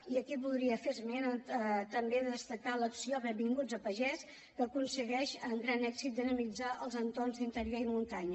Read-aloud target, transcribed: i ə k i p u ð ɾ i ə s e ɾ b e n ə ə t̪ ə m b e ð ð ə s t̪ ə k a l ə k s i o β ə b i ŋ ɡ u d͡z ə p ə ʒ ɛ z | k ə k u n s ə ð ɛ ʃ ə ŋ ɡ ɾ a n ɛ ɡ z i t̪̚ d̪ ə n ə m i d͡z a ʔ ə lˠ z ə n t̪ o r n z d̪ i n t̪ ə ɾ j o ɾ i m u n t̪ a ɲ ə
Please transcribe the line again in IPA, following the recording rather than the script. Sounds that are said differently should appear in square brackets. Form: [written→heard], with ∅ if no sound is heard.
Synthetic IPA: i ə k i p u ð ɾ i ə [s→f] e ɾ [b→m] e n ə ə t̪ ə m b e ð ð ə s t̪ ə k a l ə k s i o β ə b i ŋ ɡ u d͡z ə p ə ʒ ɛ [z→s] | k ə k u n s ə [ð→ɣ] ɛ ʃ ə ŋ ɡ ɾ a n ɛ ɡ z i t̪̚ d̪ ə n ə m i d͡z a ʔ ə lˠ z ə n t̪ o r n z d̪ i n t̪ ə ɾ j o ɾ i m u n t̪ a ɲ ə